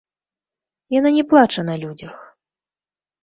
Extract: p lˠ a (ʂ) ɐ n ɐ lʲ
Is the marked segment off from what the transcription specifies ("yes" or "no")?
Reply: yes